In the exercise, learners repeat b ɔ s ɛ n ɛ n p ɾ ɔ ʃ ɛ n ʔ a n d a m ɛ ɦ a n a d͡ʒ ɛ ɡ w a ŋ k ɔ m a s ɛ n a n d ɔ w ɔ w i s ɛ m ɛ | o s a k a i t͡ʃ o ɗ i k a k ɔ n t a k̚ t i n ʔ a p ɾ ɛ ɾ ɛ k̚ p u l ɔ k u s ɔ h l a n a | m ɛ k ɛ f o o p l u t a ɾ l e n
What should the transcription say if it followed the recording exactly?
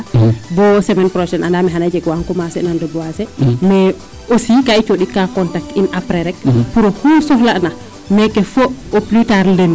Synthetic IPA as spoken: b ɔ s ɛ m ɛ n p ɾ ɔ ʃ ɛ n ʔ a n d a m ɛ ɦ a n a d͡ʒ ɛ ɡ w a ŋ k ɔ m a s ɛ n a n d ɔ b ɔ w a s ɛ m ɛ | o s i k a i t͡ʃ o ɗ i k a k ɔ n t a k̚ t i n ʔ a p ɾ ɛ ɾ ɛ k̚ p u ɾ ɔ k u s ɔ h l a n a | m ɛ k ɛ f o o p l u t a ɾ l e n